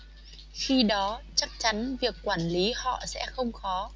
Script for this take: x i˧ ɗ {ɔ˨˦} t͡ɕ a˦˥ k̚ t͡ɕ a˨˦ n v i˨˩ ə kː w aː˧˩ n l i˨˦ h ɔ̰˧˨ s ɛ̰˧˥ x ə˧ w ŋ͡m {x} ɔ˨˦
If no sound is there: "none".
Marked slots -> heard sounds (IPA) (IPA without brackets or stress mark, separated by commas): ɔ˨˦, x